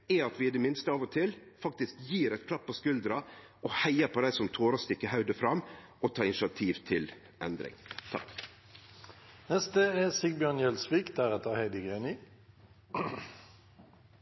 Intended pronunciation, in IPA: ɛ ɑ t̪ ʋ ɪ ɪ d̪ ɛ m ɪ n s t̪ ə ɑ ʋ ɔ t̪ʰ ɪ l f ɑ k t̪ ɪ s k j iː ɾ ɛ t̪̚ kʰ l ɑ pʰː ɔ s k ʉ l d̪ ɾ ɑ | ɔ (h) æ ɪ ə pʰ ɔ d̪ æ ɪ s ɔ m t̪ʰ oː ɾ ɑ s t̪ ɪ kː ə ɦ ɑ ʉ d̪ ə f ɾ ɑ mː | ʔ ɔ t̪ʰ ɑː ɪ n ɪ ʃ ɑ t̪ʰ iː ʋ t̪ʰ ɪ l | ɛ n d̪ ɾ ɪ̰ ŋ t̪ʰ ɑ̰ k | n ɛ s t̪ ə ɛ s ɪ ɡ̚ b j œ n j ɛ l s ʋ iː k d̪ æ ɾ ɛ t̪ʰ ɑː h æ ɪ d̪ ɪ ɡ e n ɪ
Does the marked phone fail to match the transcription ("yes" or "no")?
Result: no